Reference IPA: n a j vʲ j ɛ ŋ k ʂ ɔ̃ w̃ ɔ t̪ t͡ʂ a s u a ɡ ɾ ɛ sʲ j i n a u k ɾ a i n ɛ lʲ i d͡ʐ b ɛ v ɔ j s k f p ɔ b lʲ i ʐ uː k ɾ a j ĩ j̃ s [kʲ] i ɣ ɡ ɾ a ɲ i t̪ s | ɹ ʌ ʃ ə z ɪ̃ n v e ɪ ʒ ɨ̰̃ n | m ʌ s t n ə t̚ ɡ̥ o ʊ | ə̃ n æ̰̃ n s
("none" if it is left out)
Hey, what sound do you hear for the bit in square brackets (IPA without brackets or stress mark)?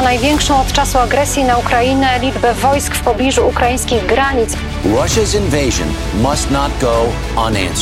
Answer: kʲ